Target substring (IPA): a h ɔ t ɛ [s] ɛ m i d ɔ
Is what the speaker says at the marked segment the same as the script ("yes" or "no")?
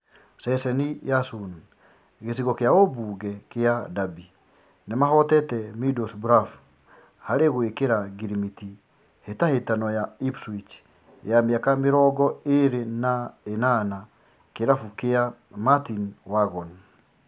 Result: no